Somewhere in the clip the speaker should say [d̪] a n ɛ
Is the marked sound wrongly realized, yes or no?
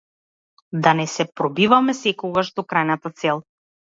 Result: no